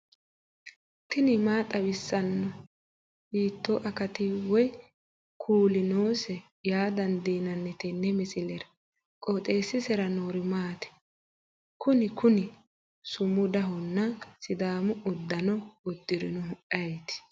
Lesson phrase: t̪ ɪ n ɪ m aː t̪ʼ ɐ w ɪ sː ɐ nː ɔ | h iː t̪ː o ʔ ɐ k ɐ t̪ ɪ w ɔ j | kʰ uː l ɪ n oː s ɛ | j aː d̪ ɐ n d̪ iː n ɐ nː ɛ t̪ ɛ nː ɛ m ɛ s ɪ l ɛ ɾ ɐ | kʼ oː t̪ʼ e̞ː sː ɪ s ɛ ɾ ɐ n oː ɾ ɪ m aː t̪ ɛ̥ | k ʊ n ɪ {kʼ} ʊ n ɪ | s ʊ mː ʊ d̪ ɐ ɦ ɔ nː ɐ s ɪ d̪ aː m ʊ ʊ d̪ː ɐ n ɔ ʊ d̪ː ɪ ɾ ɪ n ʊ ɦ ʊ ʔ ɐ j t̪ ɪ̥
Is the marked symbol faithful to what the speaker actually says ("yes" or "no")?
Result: no